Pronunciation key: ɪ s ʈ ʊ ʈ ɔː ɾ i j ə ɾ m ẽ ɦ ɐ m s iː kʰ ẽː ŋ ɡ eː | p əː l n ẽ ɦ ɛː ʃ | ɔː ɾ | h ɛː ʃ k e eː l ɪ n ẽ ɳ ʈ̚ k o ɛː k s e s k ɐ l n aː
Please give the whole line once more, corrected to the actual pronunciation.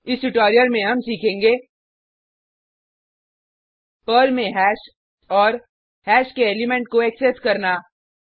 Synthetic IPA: ɪ s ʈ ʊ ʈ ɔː ɾ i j ə ɾ m ẽ ɦ ɐ m s iː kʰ ẽː ŋ ɡ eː | p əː l m ẽ ɦ ɛː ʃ | ɔː ɾ | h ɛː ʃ k e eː l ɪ m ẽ ɳ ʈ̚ k o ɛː k s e s k ɐ ɾ n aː

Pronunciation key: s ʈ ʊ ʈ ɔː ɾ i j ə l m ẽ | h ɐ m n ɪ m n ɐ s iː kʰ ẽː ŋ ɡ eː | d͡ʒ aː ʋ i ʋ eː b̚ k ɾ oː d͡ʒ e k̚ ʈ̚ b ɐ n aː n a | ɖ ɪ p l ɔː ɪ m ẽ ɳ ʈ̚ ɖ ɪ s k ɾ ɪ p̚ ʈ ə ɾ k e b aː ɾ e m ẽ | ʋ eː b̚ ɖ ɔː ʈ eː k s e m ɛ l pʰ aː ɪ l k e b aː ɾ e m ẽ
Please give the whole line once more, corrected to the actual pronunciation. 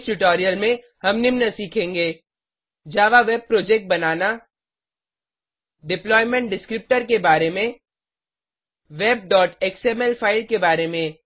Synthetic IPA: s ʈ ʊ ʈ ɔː ɾ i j ə l m ẽ | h ɐ m n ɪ m n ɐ s iː kʰ ẽː ŋ ɡ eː | d͡ʒ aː ʋ a ʋ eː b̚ p ɾ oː d͡ʒ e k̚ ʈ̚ b ɐ n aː n a | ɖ ɪ p l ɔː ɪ m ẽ ɳ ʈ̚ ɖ ɪ s k ɾ ɪ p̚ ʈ ə ɾ k e b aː ɾ e m ẽ | ʋ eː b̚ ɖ ɔː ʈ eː k s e m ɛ l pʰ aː ɪ l k e b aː ɾ e m ẽ

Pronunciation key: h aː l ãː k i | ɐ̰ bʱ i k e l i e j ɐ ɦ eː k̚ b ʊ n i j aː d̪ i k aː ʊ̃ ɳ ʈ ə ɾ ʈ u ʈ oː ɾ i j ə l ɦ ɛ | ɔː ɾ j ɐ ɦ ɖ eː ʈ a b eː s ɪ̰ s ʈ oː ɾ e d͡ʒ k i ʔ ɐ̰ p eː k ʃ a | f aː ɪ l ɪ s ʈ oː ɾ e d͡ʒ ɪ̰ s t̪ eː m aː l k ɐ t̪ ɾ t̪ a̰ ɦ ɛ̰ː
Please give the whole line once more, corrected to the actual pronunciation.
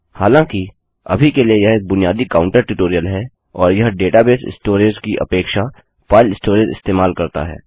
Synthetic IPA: h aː l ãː k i | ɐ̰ bʱ i k e l i e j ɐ ɦ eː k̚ b ʊ n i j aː d̪ i k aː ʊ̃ ɳ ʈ ə ɾ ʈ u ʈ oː ɾ i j ə l ɦ ɛ | ɔː ɾ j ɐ ɦ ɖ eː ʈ a b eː s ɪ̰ s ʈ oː ɾ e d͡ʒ k i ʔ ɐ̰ p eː k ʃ a | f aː ɪ l ɪ s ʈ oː ɾ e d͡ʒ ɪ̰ s t̪ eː m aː l k ɐ ɾ t̪ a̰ ɦ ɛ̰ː

